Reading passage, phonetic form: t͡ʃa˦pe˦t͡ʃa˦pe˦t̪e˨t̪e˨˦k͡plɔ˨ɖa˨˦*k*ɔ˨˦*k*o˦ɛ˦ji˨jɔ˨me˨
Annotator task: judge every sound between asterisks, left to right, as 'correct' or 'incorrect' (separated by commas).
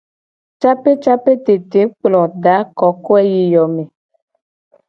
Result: correct, correct